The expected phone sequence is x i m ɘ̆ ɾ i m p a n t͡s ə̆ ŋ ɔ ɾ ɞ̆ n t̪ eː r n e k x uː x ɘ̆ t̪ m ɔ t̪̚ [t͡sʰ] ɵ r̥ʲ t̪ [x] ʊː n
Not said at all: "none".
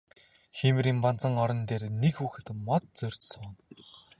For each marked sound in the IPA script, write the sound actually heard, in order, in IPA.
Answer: t͡s, s

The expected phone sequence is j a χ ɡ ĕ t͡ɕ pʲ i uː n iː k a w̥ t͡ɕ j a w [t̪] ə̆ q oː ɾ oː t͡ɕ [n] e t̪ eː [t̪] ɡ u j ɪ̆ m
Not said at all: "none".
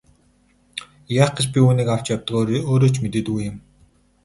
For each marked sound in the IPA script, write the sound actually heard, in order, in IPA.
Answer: t̪, m, t̪

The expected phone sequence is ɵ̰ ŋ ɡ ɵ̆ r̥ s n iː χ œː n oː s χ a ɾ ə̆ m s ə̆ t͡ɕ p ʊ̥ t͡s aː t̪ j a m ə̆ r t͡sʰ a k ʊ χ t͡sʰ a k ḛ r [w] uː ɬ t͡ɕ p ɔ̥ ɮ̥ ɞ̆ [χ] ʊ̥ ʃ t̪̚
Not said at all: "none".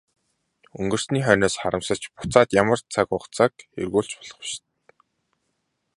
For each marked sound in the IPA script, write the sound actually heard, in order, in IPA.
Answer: ɣ, χ

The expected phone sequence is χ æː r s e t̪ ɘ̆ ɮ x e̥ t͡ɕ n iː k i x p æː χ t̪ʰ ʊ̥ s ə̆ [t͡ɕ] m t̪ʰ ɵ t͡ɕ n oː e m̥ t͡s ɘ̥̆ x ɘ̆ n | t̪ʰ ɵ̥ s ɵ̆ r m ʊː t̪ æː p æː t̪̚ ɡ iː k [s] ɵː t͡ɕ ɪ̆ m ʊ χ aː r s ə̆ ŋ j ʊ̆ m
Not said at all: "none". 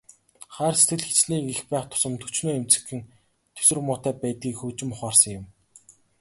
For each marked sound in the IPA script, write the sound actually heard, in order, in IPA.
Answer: none, x

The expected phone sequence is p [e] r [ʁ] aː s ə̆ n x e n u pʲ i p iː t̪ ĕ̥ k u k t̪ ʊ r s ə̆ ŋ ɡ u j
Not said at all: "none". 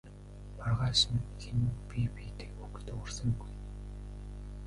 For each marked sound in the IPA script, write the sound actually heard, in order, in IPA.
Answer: a, ʁ

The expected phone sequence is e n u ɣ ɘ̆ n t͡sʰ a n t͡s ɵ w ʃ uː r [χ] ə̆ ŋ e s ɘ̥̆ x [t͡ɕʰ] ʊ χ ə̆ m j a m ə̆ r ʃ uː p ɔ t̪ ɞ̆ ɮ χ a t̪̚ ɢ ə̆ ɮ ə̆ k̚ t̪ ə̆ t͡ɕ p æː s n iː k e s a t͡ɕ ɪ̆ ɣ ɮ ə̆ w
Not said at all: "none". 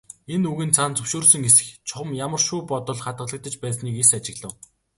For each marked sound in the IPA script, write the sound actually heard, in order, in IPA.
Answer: s, t͡ɕʰ

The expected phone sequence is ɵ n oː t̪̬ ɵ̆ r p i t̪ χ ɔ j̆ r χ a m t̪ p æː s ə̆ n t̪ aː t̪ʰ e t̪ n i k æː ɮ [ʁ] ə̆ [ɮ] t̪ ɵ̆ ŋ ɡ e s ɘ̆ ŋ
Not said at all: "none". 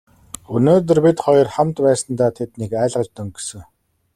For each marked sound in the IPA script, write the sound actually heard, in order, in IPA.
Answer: ʁ, ɮ

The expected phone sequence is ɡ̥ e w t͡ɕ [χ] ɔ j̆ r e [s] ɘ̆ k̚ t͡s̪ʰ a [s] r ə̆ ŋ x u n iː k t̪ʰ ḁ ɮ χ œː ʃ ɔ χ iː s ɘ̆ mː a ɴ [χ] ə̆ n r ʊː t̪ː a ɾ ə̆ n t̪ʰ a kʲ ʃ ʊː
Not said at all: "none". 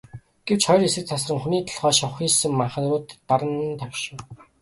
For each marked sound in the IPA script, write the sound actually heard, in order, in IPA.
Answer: χ, s, s, χ

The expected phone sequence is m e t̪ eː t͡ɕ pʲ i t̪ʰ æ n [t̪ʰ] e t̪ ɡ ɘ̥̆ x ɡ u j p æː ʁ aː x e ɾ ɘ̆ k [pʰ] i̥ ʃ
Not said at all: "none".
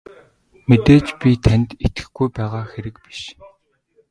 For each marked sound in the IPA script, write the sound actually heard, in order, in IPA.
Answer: t̪, p

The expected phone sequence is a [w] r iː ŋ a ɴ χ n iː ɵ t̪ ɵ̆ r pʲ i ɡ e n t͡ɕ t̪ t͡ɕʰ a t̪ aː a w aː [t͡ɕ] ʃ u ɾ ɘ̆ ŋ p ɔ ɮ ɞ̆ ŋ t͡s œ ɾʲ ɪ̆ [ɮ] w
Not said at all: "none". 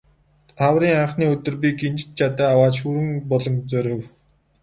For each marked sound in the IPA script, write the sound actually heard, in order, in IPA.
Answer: w, t͡ɕ, none

